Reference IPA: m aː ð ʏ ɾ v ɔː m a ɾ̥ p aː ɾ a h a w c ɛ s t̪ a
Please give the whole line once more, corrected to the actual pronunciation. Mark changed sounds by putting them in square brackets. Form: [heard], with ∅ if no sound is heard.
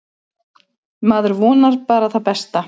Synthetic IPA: m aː ð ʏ ɾ v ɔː [n] a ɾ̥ p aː ɾ a [θ] a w [p] ɛ s t̪ a